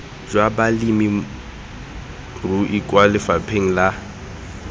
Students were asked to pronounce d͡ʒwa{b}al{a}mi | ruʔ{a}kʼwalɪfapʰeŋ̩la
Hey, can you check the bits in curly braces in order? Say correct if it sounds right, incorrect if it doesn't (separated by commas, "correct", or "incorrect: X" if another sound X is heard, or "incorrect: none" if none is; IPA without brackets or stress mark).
correct, incorrect: i, incorrect: i